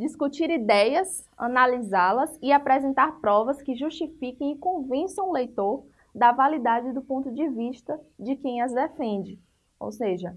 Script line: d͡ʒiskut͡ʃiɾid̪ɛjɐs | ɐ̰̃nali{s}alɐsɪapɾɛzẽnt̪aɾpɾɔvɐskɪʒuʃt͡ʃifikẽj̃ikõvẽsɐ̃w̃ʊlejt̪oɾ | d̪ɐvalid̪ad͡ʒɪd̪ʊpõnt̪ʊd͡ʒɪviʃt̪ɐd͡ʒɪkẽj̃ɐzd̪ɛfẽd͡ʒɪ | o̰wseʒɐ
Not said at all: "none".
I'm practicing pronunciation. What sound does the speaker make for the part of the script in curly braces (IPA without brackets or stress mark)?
z